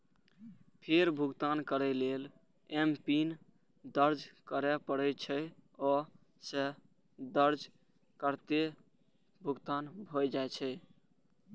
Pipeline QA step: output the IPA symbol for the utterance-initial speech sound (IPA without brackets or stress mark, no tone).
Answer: pʰ